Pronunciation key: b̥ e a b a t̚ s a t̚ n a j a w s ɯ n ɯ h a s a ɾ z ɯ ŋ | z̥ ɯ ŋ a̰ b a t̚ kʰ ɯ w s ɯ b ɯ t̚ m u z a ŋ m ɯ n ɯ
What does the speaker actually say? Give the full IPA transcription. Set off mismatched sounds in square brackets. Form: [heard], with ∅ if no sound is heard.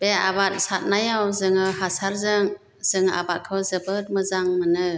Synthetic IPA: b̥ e a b a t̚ s a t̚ n a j a w [z] ɯ [ŋ] ɯ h a s a ɾ z ɯ ŋ | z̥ ɯ ŋ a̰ b a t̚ kʰ ɯ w [z] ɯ b ɯ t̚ m [ɯ] z a ŋ m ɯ n ɯ